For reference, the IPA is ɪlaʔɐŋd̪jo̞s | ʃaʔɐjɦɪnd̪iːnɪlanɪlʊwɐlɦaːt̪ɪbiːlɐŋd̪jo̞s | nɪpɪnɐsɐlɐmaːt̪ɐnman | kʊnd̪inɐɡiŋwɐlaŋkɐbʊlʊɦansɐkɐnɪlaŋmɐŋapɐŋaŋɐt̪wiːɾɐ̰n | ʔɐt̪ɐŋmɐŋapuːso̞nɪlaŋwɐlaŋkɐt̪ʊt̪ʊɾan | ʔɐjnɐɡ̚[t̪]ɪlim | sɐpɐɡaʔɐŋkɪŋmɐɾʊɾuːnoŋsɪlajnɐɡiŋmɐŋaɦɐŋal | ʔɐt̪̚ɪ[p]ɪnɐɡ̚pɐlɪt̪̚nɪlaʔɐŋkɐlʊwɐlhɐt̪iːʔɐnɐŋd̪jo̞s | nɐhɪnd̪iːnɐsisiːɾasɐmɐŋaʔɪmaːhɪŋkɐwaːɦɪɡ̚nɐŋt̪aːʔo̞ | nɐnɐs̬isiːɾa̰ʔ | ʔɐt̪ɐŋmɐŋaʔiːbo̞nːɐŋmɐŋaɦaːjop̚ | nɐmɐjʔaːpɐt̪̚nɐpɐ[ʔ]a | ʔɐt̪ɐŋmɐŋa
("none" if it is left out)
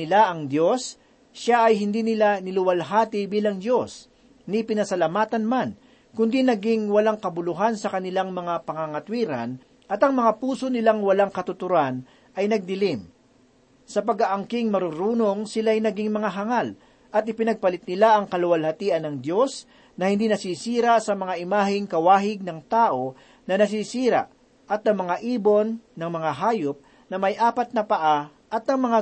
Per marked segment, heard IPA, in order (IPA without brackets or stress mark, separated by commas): d̪, p, ʔ